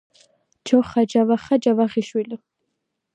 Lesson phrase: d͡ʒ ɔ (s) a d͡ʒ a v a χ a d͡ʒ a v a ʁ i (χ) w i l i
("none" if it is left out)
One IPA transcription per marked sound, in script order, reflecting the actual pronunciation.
χ, ʃ

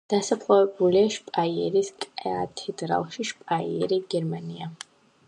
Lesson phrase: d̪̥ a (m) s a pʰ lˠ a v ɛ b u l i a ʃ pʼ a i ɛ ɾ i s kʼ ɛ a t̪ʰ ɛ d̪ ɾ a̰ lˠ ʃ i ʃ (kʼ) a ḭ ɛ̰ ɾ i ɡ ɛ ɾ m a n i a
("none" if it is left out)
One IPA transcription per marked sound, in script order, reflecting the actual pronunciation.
none, pʼ

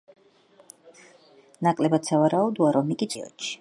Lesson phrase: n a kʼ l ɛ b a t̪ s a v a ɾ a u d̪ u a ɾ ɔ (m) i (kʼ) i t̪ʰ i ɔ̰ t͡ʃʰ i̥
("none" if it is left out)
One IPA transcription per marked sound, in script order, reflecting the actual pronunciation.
m, kʼ

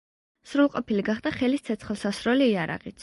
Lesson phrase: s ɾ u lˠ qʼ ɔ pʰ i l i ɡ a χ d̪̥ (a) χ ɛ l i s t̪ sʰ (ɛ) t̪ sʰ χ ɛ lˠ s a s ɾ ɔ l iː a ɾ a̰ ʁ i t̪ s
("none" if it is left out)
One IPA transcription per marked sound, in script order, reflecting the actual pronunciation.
a, ɛ

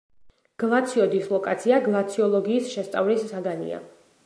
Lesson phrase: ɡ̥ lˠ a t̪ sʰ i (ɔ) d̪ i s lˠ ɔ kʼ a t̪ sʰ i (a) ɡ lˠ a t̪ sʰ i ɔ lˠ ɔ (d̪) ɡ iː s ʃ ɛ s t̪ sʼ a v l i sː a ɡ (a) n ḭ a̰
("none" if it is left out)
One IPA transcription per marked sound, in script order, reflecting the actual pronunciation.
ɔ, a, none, a

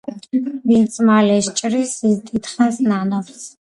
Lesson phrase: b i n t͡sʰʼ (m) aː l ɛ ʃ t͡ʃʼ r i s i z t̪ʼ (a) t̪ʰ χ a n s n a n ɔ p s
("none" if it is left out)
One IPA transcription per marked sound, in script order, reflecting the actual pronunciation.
m, i

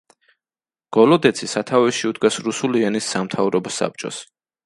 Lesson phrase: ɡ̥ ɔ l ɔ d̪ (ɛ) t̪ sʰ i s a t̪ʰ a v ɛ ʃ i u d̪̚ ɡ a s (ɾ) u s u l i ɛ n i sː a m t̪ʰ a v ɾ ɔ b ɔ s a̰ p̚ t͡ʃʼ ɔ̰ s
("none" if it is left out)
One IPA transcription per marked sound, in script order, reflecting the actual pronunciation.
ɛ, ɾ

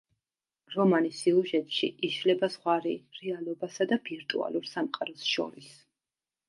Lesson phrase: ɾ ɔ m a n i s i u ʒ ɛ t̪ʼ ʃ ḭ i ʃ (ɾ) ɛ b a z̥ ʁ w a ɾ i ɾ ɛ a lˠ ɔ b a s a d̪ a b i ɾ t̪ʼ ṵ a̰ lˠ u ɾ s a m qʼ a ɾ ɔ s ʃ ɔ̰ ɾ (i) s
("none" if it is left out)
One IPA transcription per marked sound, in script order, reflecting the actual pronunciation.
l, i

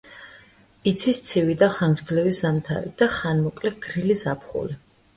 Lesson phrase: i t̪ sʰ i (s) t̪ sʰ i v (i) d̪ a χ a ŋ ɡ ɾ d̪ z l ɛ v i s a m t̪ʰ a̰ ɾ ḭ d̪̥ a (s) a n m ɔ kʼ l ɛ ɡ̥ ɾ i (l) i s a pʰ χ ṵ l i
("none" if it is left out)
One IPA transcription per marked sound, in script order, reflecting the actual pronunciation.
s, i, χ, l

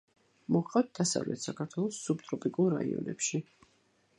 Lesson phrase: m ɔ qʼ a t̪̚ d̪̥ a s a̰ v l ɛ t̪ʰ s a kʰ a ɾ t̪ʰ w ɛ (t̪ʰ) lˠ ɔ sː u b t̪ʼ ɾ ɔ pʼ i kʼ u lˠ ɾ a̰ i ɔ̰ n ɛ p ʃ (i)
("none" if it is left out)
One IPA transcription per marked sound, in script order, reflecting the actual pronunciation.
none, i

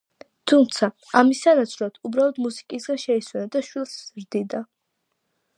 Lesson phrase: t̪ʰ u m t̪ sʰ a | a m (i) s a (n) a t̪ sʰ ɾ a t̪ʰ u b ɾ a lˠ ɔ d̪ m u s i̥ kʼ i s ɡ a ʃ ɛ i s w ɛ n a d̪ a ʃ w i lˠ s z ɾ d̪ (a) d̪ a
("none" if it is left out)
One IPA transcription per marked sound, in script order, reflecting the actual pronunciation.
i, n, i

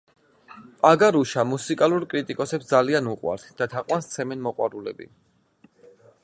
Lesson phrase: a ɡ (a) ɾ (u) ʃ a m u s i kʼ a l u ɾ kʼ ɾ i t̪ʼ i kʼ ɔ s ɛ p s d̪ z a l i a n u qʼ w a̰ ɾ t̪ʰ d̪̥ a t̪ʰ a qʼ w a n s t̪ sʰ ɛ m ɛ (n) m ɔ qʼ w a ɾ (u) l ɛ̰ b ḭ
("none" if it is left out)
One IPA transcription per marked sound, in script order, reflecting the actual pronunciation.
a, u, n, u

